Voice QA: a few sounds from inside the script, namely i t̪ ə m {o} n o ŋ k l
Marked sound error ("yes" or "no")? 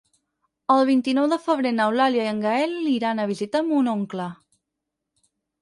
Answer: yes